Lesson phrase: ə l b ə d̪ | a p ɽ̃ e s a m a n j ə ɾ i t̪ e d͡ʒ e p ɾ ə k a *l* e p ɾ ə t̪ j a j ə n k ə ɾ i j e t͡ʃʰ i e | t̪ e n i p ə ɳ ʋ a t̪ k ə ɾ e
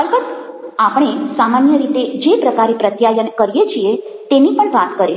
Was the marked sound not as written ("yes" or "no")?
yes